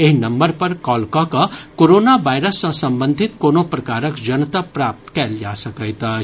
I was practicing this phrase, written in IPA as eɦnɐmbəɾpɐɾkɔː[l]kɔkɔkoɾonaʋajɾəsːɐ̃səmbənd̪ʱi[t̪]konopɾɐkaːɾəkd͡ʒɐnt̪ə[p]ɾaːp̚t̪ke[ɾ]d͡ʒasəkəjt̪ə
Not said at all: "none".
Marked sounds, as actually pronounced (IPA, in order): l, t̪, p, l

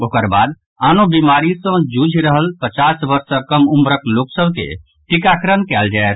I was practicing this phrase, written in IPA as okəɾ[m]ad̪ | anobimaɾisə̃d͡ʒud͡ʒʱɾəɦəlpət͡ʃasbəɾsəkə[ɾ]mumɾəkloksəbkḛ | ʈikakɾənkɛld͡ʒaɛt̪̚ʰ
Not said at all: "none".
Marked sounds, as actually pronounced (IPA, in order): b, none

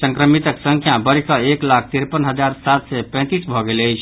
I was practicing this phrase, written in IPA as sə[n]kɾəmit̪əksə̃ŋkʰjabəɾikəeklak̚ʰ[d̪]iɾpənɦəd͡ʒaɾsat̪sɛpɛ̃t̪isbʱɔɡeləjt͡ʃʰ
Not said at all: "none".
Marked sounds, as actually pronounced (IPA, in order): ŋ, t̪

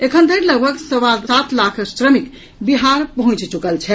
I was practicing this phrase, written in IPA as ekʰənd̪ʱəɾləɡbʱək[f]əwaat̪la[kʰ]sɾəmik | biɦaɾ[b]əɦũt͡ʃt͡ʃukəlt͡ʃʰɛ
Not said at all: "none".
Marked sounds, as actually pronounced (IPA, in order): s, kʰ, p

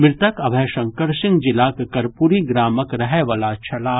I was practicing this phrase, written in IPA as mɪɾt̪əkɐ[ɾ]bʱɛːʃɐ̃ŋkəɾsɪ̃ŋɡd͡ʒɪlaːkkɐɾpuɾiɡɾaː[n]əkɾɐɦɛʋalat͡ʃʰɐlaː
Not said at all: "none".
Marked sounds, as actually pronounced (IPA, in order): none, m

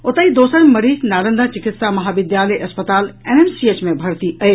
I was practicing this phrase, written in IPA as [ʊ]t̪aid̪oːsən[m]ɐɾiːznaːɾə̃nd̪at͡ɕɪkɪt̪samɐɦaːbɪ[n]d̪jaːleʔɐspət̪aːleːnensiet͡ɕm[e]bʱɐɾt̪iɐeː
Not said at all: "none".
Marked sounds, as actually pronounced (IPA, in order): ʊ, m, none, ẽ

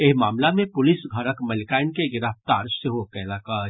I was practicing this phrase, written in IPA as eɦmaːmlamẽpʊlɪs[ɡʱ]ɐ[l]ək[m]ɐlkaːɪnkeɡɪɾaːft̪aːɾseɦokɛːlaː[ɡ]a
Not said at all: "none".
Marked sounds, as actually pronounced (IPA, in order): ɡʱ, ɾ, m, k

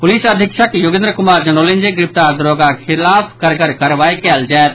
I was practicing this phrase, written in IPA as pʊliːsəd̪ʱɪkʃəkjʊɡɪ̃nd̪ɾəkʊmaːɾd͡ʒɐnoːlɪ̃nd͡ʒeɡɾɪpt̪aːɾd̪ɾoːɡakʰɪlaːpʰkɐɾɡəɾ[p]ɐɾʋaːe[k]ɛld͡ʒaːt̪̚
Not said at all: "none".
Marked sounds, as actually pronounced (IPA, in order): k, k

